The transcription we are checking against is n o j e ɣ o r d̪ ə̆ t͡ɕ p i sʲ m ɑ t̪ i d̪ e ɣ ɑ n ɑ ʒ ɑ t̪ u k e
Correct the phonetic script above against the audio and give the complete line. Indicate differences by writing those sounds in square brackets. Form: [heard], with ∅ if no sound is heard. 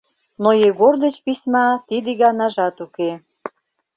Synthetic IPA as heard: n o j e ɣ o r d̪ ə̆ t͡ɕ p i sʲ m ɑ t̪ i d̪ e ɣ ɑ n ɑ ʒ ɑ t̪ u k e